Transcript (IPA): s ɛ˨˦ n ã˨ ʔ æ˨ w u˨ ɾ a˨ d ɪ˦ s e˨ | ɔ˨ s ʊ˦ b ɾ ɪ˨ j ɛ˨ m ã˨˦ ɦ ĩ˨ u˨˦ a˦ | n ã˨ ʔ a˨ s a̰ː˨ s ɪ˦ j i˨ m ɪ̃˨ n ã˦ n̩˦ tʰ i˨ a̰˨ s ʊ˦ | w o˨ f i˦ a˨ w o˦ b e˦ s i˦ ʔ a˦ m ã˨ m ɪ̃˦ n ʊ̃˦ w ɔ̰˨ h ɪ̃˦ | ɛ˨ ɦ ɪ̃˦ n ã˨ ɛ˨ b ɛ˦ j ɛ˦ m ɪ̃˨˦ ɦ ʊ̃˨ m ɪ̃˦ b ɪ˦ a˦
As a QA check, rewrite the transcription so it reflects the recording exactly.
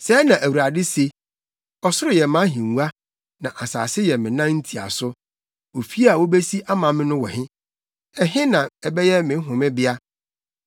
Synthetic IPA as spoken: s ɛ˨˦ n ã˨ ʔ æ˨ w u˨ ɾ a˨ d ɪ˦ s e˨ | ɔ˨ s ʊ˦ ɾ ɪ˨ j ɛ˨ m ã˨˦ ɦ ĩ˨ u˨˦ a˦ | n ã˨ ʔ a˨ s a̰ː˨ s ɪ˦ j ɛ˨ m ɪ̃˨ n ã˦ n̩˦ tʰ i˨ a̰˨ s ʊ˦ | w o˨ f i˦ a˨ w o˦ b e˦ s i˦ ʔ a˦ m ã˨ m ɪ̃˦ n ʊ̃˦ w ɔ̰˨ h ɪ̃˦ | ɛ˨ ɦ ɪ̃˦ n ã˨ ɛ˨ b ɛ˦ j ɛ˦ m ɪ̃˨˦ ɦ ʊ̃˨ m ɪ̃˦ b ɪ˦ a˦